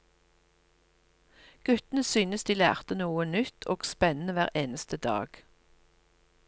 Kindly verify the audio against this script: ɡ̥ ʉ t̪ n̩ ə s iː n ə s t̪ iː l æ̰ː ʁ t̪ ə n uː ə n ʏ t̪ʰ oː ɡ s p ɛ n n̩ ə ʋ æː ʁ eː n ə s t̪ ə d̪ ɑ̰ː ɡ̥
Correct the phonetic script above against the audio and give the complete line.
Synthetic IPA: ɡ̥ ʉ t̪ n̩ ə s yː n ə s d̪ iː l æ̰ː ʁ t̪ ə n uː ə n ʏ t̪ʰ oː ɡ s p ɛ n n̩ ə ʋ æː ʁ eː n ə s t̪ ə d̪ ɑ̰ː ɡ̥